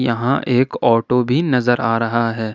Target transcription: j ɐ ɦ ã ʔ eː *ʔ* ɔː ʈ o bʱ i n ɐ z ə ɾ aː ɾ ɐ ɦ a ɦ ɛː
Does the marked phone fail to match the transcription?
yes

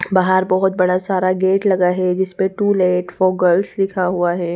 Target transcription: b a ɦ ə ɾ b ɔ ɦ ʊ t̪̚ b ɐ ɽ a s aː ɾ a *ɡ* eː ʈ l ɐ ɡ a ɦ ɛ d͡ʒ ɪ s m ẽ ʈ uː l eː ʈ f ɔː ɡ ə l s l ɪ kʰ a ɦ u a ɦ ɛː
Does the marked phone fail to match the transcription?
no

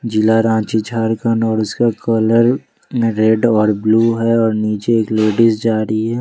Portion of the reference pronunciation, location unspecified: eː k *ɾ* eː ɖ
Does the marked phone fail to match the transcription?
yes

